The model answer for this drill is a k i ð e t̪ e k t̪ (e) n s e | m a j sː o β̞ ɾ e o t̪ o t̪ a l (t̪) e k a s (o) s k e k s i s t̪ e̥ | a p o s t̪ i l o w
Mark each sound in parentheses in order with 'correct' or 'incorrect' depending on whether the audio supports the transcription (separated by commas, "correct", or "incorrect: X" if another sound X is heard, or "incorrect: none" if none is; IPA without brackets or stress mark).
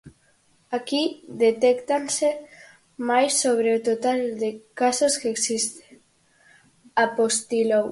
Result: incorrect: a, incorrect: d̪, correct